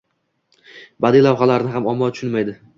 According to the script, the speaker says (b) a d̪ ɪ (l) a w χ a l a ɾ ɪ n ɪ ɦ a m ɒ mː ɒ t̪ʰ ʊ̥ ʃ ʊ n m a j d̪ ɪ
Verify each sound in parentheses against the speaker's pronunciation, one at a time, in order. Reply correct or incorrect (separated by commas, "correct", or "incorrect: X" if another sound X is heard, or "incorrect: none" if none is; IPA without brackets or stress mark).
correct, correct